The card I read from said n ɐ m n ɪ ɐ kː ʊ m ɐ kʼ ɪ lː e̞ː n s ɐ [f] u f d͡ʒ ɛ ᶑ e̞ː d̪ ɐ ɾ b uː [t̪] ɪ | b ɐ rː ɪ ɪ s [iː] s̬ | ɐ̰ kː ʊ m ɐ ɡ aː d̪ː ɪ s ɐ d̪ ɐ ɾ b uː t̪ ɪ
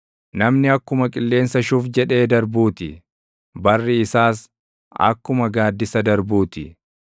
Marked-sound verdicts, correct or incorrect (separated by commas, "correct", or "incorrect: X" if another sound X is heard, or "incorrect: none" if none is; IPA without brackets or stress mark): incorrect: ʃ, correct, incorrect: aː